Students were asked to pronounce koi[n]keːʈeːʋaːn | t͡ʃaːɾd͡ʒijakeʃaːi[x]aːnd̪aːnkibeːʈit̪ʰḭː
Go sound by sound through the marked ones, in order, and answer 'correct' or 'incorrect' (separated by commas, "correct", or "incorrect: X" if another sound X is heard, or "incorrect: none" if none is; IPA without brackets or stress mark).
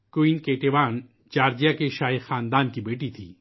correct, correct